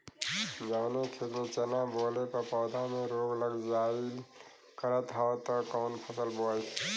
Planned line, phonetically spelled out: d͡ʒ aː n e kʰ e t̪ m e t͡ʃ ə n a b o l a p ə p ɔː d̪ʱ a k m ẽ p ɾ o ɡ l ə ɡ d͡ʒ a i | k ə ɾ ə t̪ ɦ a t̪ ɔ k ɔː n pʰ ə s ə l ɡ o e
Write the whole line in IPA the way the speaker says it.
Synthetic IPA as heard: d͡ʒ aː n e kʰ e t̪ m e t͡ʃ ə n a b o l e p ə p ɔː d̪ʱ a m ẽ ɾ o ɡ l ə ɡ d͡ʒ a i | k ə ɾ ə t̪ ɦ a t̪ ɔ k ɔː n pʰ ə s ə l b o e